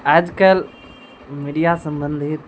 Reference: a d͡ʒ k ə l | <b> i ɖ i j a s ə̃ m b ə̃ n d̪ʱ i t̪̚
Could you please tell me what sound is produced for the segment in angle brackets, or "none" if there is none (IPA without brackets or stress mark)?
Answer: m